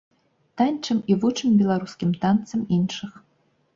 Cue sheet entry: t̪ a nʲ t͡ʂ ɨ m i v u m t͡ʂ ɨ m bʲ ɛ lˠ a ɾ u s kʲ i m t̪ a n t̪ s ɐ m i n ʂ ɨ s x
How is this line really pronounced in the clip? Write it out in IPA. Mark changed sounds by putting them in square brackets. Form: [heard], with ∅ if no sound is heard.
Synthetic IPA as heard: t̪ a nʲ t͡ʂ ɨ m i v u [∅] t͡ʂ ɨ m bʲ ɛ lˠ a ɾ u s kʲ i m t̪ a n t̪ s ɐ m i n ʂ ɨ [∅] x

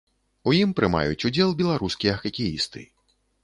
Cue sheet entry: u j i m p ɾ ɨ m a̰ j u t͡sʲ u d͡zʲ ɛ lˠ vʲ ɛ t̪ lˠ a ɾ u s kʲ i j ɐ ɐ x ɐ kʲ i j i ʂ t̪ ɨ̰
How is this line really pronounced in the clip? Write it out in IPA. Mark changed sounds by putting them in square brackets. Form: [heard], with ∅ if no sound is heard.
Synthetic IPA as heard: u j i m p ɾ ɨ m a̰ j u t͡sʲ u d͡zʲ ɛ lˠ [bʲ] ɛ [∅] lˠ a ɾ u s kʲ i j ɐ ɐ x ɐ kʲ i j i [s] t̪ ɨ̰

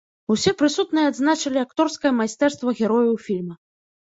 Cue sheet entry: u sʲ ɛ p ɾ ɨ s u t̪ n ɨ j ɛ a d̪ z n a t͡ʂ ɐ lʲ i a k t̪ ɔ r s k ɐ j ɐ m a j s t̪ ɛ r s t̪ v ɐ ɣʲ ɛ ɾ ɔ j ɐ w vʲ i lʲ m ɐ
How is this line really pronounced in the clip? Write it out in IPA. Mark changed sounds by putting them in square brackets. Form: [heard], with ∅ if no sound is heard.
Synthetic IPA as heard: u sʲ ɛ p ɾ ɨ s u t̪ n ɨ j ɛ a d̪ z n a t͡ʂ ɐ lʲ i a k t̪ ɔ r s k ɐ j ɐ m a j s t̪ ɛ r s t̪ v ɐ ɣʲ ɛ ɾ ɔ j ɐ w [fʲ] i lʲ m ɐ

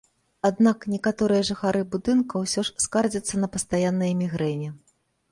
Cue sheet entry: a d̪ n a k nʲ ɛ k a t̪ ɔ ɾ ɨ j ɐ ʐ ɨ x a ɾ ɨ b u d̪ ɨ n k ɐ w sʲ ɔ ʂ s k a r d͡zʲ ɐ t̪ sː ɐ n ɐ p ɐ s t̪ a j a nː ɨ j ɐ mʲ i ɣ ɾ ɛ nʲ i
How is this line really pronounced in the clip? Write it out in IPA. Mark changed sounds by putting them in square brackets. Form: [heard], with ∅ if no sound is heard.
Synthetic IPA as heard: a d̪ n a k nʲ ɛ k a t̪ ɔ ɾ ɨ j ɐ ʐ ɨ x a ɾ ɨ b u d̪ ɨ n k ɐ w sʲ ɔ ʂ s k a r d͡zʲ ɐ t̪ sː ɐ n ɐ p ɐ s t̪ a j a nː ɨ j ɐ mʲ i ɣ ɾ ɛ nʲ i

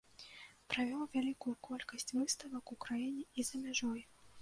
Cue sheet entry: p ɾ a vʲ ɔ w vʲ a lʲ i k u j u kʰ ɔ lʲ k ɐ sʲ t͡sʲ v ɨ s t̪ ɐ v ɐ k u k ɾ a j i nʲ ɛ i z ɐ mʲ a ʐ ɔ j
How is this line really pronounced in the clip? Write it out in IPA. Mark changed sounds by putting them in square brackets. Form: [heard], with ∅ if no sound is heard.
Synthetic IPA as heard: p ɾ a vʲ ɔ w vʲ a lʲ i k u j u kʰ ɔ lʲ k ɐ sʲ t͡sʲ v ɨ s t̪ ɐ v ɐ k u k ɾ a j i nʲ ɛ i z ɐ mʲ a ʐ ɔ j

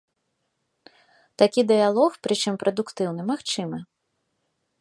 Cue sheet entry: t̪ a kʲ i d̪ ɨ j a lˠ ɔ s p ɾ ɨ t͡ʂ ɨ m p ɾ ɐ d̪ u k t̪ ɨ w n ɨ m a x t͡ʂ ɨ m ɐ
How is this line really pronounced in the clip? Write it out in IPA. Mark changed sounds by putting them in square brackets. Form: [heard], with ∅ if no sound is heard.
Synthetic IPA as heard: t̪ a kʲ i d̪ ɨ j a lˠ ɔ [x] p ɾ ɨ t͡ʂ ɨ m p ɾ ɐ d̪ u k t̪ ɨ w n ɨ m a x t͡ʂ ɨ m ɐ

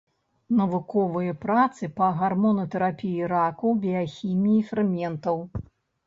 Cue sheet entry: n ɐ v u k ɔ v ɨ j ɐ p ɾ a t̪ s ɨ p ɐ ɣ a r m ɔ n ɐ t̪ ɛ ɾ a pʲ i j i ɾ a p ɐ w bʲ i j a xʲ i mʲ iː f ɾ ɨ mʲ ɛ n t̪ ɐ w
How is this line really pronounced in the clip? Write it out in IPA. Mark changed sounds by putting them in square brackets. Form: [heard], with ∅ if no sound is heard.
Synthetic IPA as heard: n ɐ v u k ɔ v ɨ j ɐ p ɾ a t̪ s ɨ p ɐ ɣ a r m ɔ n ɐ t̪ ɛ ɾ a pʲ i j i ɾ a [k] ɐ w bʲ i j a xʲ i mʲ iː f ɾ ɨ mʲ ɛ n t̪ ɐ w

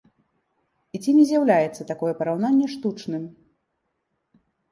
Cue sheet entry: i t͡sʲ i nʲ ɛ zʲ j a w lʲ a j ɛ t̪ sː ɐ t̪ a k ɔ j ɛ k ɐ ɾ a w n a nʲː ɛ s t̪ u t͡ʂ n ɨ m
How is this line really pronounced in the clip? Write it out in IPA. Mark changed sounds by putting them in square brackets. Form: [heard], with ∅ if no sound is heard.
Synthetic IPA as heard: i t͡sʲ i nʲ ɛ zʲ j a w lʲ a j ɛ t̪ sː ɐ t̪ a k ɔ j ɛ [p] ɐ ɾ a w n a nʲː ɛ [ʂ] t̪ u t͡ʂ n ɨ m

